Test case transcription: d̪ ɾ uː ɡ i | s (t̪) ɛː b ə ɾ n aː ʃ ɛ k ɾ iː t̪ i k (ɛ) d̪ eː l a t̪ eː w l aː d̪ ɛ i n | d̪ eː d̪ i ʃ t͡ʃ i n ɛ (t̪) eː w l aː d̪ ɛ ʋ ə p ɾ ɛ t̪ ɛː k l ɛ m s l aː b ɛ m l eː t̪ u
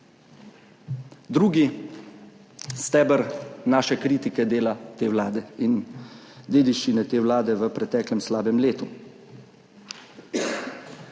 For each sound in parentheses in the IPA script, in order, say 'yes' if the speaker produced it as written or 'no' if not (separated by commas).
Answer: yes, yes, yes